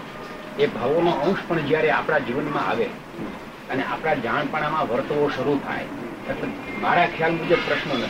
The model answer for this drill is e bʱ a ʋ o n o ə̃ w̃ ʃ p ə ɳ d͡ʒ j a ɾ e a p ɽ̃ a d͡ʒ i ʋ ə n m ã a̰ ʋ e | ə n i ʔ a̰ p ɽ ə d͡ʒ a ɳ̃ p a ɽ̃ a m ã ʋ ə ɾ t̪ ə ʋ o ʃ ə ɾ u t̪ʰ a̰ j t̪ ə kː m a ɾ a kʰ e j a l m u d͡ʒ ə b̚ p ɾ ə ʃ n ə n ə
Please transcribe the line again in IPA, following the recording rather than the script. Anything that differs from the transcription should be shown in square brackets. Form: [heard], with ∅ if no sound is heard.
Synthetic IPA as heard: e bʱ a ʋ o n o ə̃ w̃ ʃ p ə ɳ d͡ʒ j a ɾ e a p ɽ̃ a d͡ʒ i ʋ ə n m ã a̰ ʋ e | ə n [e] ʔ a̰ p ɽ [a] d͡ʒ a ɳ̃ p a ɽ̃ a m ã ʋ ə ɾ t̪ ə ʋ o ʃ ə ɾ u t̪ʰ a̰ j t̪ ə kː m a ɾ a kʰ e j a l m u d͡ʒ ə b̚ p ɾ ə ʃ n ə n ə